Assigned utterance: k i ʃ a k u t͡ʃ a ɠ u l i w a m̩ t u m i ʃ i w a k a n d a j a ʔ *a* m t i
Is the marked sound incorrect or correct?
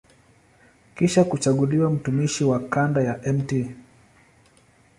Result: incorrect